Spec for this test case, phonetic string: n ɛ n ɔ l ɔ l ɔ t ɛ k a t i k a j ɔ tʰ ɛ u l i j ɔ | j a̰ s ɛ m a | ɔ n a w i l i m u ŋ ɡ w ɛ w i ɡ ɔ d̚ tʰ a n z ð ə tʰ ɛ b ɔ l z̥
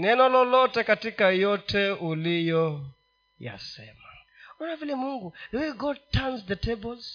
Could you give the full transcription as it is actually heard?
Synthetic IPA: n ɛ n ɔ l ɔ l ɔ t ɛ k a t i k a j ɔ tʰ ɛ u l i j ɔ | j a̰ s ɛ m a | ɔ n a v i l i m u ŋ ɡ u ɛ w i ɡ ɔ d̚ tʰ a n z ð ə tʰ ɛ b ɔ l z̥